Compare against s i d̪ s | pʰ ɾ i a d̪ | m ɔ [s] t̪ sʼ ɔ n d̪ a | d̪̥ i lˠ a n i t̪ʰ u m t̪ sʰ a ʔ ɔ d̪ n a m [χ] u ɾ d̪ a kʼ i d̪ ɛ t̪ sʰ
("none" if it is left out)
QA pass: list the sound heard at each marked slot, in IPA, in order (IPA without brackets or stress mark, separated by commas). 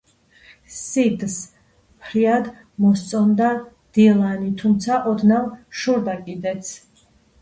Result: s, ʃ